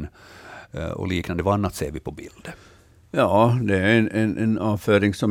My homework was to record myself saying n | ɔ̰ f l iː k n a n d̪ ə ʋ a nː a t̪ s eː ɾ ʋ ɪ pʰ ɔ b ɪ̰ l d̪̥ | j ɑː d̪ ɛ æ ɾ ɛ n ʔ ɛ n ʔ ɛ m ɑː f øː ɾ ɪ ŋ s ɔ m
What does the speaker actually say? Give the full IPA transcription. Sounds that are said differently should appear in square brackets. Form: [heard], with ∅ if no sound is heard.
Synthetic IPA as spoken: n | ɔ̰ [∅] l iː k n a n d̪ ə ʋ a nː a t̪ s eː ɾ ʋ ɪ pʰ ɔ b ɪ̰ l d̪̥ | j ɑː d̪ ɛ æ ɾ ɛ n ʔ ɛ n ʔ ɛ [n] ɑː f øː ɾ ɪ ŋ s ɔ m